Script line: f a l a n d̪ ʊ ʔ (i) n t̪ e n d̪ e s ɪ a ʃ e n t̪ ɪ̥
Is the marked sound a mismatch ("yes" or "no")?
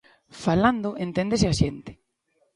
yes